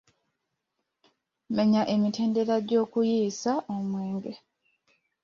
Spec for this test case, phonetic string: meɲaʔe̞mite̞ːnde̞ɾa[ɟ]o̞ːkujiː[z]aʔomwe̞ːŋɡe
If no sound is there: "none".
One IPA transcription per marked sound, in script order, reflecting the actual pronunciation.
ɟ, s

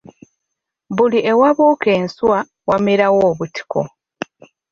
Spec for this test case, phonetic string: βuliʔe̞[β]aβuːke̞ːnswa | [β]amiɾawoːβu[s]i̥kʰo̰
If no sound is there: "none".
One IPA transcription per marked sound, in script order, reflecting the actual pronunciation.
w, w, t

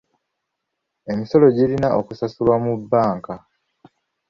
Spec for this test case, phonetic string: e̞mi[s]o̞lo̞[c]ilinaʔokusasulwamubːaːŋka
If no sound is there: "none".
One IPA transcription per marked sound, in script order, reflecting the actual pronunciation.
s, ɟ

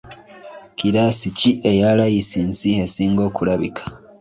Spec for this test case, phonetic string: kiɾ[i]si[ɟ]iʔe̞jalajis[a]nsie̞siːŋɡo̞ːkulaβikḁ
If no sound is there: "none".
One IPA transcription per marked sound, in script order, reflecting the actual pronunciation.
a, c, i

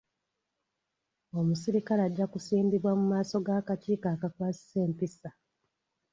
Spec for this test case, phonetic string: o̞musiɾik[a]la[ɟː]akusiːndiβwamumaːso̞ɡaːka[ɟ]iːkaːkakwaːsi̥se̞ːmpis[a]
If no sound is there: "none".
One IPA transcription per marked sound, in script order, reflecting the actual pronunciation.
a, ɟː, c, a

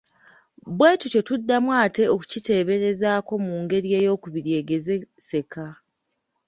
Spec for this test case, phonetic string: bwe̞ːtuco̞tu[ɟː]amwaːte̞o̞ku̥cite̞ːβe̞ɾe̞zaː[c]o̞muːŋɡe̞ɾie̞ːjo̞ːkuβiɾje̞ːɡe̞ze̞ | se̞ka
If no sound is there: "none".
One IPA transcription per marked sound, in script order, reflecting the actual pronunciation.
dː, k

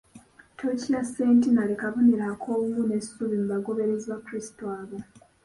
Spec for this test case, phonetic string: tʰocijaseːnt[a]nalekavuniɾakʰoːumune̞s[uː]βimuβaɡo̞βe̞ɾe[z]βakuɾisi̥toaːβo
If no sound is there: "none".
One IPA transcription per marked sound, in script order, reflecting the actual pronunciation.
i, u, z

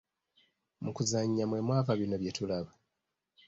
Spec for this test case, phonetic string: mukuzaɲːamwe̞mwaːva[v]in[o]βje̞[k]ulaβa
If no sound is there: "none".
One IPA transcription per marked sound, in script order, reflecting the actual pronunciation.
β, o, t

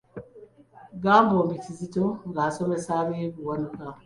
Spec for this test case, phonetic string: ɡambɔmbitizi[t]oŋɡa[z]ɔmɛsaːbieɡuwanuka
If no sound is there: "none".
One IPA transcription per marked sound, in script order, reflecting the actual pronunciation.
t, s

